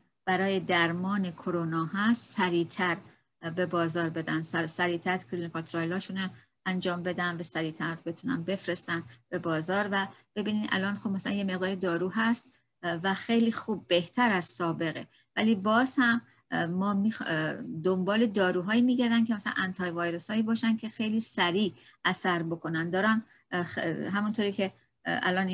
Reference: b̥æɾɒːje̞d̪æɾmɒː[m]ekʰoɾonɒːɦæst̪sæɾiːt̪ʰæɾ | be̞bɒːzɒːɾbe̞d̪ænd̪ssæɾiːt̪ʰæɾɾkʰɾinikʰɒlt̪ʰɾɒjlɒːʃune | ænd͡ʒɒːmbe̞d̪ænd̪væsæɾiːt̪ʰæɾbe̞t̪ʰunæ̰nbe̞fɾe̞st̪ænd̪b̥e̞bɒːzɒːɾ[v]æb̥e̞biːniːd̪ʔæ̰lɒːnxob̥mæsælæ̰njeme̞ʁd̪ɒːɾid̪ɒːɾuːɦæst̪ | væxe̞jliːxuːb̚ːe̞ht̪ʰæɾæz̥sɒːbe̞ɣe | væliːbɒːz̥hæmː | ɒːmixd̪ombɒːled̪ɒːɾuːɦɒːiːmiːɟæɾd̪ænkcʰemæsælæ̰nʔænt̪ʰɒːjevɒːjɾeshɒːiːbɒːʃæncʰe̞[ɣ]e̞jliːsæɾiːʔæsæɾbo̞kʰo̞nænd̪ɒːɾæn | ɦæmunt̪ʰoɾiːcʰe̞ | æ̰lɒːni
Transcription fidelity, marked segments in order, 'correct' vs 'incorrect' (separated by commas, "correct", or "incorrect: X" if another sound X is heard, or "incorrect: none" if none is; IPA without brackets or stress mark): incorrect: n, correct, incorrect: x